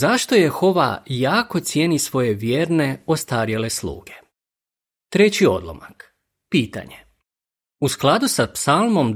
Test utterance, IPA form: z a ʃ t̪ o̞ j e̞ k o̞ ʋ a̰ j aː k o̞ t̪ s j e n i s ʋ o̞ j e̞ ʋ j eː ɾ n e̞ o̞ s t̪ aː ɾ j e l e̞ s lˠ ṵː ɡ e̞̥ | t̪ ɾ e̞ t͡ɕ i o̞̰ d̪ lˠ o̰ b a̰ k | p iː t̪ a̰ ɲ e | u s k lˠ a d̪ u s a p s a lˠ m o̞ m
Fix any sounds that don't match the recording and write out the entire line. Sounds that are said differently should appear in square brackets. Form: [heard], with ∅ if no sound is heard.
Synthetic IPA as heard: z a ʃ t̪ o̞ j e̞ [x] o̞ ʋ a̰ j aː k o̞ t̪ s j e n i s ʋ o̞ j e̞ ʋ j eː ɾ n e̞ o̞ s t̪ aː ɾ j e l e̞ s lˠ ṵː ɡ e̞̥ | t̪ ɾ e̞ t͡ɕ i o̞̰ d̪ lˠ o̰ [m] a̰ k | p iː t̪ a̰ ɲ e | u s k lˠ a d̪ u s a p s a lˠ m o̞ m